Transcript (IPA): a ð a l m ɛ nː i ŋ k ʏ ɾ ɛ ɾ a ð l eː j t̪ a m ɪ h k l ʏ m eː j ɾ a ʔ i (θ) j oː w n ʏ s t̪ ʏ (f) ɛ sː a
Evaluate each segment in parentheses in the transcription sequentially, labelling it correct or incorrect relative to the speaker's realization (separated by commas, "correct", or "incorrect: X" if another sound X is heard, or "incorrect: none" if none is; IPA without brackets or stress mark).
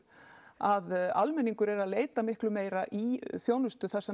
correct, incorrect: θ